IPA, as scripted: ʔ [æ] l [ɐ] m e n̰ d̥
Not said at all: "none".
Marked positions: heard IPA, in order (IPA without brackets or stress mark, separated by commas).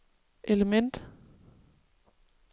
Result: e, ə